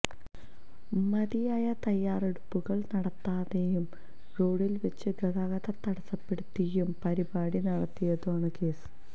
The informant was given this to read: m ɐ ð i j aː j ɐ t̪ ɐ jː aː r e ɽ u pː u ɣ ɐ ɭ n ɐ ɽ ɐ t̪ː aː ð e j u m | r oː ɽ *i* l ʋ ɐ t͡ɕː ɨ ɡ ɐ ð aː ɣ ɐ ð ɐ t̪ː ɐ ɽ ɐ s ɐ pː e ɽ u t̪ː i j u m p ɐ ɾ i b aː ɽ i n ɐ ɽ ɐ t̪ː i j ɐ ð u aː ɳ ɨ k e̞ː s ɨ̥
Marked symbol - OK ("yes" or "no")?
yes